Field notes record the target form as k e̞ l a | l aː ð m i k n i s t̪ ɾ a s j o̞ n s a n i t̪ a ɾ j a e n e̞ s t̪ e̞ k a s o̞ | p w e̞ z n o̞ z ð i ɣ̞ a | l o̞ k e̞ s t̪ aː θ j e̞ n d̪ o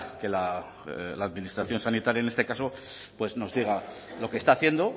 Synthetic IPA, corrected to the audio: k e̞ l a | l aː ð m i n i s t̪ ɾ a θ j o̞ n s a n i t̪ a ɾ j a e n e̞ s t̪ e̞ k a s o̞ | p w e̞ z n o̞ z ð i ɣ̞ a | l o̞ k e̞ s t̪ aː θ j e̞ n d̪ o